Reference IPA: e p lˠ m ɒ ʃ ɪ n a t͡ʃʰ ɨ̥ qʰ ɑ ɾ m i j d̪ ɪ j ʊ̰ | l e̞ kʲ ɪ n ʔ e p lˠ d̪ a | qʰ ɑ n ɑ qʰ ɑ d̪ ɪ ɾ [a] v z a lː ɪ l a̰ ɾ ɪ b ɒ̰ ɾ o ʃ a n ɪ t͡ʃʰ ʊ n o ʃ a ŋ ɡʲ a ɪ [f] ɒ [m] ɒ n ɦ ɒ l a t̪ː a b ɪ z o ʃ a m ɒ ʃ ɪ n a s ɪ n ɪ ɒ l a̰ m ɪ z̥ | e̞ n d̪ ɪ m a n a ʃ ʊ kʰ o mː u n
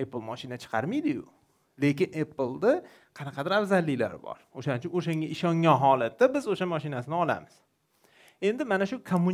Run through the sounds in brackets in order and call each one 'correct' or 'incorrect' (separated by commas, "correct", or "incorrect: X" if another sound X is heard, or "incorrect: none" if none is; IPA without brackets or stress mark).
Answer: correct, incorrect: ʃ, incorrect: ŋ